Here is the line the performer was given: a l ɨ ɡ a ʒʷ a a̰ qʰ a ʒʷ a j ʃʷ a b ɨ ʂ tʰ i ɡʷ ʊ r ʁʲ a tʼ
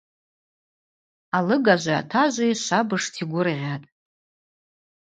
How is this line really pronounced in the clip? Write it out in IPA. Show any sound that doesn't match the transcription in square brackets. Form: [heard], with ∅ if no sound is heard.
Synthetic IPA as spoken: a l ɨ ɡ a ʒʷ a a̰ [tʰ] a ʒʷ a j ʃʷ a b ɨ ʂ tʰ i ɡʷ ʊ r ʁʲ a tʼ